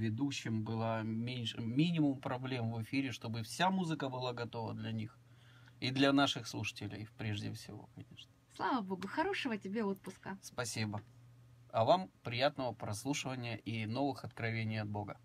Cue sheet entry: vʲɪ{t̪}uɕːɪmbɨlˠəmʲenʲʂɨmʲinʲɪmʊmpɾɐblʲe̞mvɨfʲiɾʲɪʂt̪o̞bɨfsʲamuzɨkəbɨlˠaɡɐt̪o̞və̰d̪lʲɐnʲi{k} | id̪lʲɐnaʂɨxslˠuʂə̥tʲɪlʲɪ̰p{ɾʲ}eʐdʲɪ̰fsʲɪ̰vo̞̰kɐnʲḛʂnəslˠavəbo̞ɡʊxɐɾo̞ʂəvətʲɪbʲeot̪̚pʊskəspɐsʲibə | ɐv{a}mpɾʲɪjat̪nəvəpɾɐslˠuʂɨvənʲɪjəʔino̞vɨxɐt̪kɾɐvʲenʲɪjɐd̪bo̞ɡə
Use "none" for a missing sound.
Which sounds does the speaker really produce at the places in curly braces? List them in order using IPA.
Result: d̪, x, ɾʲ, a

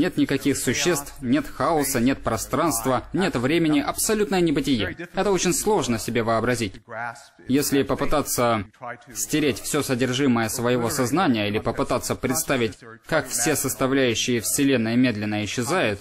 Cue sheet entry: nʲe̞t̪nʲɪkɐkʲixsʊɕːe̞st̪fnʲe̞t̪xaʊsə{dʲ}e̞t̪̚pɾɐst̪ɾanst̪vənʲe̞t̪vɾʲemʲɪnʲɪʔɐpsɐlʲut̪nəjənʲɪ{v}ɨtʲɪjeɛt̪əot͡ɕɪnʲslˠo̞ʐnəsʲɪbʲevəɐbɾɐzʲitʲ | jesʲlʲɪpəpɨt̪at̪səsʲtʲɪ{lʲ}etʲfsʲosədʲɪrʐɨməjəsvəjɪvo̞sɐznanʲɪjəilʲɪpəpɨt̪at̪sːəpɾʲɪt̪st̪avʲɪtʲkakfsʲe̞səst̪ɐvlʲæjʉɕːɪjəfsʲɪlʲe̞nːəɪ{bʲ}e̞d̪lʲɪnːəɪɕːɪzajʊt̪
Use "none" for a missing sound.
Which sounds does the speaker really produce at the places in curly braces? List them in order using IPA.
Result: nʲ, b, ɾʲ, mʲ

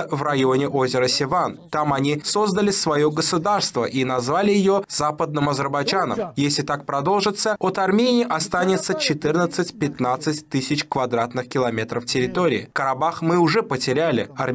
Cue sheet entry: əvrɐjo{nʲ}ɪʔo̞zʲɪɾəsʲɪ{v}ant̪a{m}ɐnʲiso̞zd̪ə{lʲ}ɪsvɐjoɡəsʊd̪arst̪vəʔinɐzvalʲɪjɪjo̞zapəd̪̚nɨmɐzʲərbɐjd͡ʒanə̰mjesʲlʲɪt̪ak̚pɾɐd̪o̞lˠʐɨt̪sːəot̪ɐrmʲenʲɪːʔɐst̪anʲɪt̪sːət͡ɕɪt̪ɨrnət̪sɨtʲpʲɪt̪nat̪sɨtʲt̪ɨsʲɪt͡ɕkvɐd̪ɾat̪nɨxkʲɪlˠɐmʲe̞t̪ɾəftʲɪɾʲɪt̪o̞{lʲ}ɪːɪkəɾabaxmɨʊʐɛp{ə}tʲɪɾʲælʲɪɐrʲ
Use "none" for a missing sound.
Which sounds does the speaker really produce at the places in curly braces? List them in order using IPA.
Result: nʲ, v, m, lʲ, ɾʲ, ə

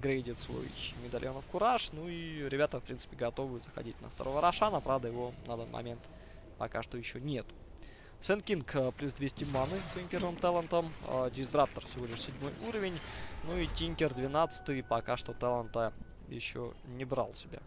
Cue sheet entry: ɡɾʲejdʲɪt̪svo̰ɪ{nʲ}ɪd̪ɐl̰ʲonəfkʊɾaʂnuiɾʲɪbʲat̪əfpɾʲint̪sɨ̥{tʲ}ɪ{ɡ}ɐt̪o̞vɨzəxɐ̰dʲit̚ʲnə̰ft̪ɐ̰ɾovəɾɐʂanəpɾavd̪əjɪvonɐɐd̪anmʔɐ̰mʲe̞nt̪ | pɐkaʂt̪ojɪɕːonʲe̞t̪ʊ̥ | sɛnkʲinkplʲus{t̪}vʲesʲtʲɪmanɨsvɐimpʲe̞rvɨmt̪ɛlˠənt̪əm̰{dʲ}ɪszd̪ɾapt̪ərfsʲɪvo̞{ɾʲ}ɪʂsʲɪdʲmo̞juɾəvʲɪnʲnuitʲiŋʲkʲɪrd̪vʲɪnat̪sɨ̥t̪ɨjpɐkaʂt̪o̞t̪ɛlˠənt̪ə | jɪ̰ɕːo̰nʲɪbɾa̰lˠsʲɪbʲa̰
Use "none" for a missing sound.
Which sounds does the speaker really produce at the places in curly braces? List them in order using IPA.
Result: mʲ, pʲ, ɡ, d̪, dʲ, lʲ

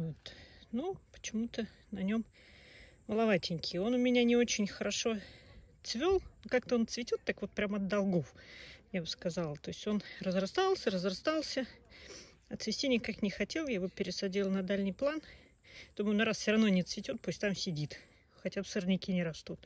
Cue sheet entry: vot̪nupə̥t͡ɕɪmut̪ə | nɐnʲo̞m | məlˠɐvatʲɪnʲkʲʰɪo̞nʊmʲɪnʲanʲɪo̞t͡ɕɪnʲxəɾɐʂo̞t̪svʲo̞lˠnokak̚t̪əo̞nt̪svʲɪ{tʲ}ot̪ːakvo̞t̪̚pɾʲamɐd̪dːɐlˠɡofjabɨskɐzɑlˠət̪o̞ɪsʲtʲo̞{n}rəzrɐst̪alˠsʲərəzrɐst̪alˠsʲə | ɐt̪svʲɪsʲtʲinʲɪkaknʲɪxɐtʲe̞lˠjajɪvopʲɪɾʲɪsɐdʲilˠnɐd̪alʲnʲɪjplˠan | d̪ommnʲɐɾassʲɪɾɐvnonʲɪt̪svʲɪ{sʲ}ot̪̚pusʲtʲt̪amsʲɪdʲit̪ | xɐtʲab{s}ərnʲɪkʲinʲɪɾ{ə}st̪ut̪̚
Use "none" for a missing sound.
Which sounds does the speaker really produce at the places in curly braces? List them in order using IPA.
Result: tʲ, n, tʲ, s, ɐ

